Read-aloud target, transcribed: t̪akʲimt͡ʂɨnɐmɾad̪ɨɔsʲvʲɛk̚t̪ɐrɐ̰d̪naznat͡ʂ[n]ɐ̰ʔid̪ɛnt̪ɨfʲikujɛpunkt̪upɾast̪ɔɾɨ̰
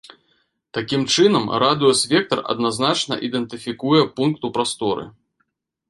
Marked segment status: correct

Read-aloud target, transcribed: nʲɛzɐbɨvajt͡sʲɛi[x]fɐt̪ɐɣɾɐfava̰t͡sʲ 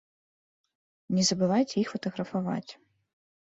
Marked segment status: correct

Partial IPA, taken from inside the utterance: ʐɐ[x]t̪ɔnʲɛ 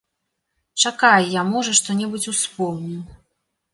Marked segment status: incorrect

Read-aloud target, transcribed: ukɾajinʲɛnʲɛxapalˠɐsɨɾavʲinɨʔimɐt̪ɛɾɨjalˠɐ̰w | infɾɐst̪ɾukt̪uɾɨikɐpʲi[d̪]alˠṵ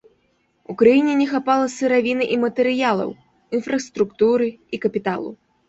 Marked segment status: incorrect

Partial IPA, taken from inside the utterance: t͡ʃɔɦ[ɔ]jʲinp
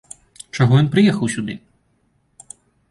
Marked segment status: correct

